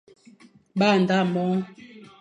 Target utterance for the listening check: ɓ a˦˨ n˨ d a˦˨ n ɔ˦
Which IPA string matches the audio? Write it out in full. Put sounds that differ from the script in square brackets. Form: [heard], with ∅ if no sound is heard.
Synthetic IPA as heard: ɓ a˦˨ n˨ d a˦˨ [m] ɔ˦